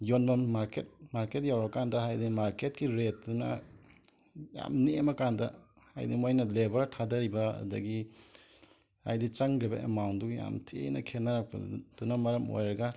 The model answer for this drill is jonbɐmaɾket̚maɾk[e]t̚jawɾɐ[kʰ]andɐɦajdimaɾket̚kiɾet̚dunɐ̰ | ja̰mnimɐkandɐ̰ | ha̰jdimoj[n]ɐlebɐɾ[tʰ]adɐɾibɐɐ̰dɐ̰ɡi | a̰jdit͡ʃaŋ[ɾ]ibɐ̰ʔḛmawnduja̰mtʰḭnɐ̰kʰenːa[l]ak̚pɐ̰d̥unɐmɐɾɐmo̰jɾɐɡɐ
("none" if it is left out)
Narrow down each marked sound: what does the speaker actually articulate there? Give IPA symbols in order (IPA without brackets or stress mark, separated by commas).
e, k, n, tʰ, ɾ, ɾ